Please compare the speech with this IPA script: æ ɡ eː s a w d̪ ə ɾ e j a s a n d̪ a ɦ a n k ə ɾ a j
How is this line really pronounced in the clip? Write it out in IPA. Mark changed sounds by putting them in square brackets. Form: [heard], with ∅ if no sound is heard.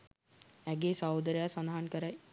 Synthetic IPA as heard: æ ɡ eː s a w d̪ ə ɾ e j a s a n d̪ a ɦ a n k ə ɾ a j